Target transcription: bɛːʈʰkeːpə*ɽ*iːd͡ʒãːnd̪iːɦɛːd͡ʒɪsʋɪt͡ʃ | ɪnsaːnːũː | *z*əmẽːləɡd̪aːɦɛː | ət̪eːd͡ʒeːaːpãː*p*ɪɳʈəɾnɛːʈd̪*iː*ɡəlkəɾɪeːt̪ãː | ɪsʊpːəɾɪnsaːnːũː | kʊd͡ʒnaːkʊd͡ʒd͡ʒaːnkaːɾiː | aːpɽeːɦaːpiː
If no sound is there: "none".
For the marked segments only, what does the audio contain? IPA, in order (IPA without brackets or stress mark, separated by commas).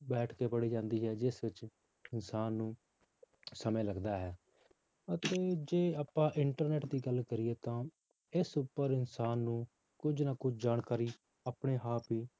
ɽ, s, ʔ, iː